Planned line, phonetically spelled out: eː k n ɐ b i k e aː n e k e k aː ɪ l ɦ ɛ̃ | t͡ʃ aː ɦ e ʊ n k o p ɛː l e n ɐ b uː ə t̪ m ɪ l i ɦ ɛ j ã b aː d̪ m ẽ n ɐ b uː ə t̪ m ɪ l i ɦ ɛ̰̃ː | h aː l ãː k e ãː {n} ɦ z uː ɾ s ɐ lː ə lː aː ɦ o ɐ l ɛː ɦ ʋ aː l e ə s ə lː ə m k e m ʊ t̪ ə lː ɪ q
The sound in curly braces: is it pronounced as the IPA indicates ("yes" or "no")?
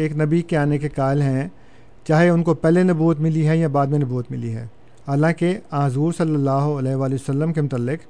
no